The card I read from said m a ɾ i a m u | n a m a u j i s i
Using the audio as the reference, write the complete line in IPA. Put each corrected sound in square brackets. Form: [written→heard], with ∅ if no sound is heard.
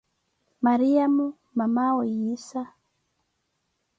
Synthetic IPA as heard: m a ɾ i a m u | [n→m] a m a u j i s [i→a]